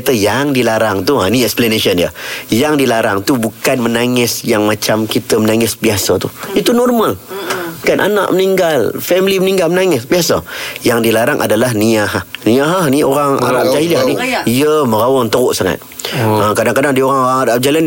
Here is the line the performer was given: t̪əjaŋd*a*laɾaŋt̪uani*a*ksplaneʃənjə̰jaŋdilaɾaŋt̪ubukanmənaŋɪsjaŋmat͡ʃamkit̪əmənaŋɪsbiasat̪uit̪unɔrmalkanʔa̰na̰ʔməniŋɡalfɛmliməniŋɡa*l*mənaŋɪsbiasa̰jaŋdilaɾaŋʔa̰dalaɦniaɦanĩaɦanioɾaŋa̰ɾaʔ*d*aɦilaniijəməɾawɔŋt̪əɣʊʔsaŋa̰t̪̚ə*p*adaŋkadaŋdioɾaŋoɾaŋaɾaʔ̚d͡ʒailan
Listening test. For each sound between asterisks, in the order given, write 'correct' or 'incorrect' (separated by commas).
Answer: incorrect, incorrect, correct, incorrect, incorrect